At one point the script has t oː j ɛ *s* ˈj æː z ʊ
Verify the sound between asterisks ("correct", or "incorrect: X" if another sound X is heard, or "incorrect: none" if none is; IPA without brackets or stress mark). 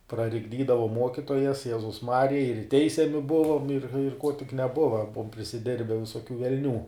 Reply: correct